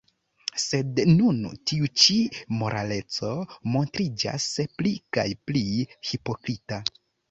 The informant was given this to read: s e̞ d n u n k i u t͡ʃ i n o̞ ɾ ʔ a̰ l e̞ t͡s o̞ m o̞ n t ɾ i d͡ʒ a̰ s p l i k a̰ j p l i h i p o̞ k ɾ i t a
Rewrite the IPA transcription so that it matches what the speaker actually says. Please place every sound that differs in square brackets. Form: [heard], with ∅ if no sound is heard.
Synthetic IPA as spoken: s e̞ d n u n [t] i u t͡ʃ i [m] o̞ ɾ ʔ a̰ l e̞ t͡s o̞ m o̞ n t ɾ i d͡ʒ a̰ s p l i k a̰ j p l i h i p o̞ k ɾ i t a